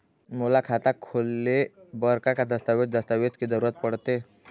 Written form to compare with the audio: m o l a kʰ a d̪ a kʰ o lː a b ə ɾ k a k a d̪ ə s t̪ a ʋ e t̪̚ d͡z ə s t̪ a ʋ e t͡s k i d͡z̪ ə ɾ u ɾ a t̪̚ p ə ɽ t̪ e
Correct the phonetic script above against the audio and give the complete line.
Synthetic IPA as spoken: m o l a kʰ a t̪ a kʰ o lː e b ə ɾ k a k a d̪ ə s t̪ a ʋ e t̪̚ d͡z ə s t̪ a ʋ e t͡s k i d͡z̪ ə ɾ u ɾ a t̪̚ p ə ɽ t̪ e